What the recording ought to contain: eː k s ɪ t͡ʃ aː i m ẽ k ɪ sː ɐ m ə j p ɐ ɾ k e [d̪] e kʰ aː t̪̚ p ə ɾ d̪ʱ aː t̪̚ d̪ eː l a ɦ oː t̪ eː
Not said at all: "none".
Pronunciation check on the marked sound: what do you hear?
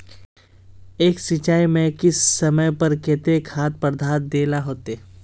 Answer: t̪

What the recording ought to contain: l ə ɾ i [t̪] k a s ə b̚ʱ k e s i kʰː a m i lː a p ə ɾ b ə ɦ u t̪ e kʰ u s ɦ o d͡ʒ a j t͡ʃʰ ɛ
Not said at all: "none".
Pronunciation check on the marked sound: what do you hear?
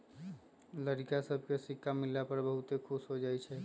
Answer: none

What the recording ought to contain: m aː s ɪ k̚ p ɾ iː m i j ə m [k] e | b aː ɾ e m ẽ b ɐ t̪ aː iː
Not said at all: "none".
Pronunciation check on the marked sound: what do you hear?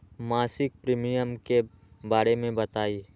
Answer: k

